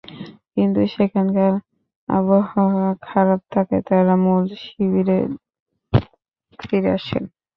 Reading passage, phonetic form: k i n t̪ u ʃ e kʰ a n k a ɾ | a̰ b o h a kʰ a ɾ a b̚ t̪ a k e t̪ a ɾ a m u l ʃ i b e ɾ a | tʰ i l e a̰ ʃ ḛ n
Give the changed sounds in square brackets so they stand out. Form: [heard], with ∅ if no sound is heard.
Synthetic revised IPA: k i n t̪ u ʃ e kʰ a n k a ɾ | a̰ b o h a kʰ a ɾ a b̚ [t̪ʰ] a k e t̪ a ɾ a m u l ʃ i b [i] ɾ [e] | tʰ i [ɾ] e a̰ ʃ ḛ n